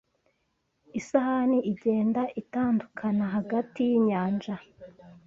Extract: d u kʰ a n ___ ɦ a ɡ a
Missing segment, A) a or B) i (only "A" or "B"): A